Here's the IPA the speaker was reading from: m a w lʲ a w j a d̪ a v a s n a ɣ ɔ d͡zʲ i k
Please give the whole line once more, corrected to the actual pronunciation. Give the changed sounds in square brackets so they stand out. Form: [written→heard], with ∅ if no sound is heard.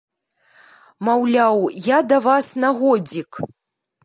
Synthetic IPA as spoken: m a w lʲ a w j a d̪ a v a s n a ɣ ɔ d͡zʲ i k